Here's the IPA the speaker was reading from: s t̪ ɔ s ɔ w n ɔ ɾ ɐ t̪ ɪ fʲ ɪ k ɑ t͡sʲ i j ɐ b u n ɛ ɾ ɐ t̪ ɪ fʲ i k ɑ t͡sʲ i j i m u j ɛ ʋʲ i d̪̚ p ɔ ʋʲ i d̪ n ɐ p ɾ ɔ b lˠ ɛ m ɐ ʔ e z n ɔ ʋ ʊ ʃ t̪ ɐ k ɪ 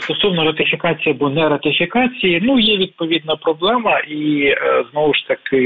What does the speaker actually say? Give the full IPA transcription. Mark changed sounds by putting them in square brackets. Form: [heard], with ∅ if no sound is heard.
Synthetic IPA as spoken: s t̪ ɔ s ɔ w n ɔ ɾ ɐ t̪ ɪ fʲ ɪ k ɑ t͡sʲ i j ɐ b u n ɛ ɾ ɐ t̪ ɪ fʲ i k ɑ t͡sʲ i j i [n] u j ɛ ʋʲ i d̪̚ p ɔ ʋʲ i d̪ n ɐ p ɾ ɔ b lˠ ɛ m ɐ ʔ [i] z n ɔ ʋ ʊ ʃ t̪ ɐ k ɪ